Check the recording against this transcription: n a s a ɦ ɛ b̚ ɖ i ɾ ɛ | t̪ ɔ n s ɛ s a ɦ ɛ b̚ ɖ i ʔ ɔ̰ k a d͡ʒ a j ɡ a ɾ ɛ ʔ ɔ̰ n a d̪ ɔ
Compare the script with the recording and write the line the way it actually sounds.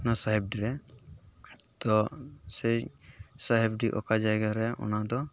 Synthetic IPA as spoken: n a s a ɦ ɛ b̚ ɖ i ɾ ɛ | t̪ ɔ s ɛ s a ɦ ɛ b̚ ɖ i ʔ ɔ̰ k a d͡ʒ a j ɡ a ɾ ɛ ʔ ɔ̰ n a d̪ ɔ